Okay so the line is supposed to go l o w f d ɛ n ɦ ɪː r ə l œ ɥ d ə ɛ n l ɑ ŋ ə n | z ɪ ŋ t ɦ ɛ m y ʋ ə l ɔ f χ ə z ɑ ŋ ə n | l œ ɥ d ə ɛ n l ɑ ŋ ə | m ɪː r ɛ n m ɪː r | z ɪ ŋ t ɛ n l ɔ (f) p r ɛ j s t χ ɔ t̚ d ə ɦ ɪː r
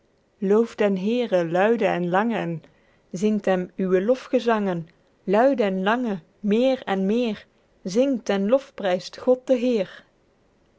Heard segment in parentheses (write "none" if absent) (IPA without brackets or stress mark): f